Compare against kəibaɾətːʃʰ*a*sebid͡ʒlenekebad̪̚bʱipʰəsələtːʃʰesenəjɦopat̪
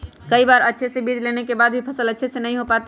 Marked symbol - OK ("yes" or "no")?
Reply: no